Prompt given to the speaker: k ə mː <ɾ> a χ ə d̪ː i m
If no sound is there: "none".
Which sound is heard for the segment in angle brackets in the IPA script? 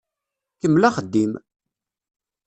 l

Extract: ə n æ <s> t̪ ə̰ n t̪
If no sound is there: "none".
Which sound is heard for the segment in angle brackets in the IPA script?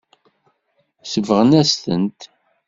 s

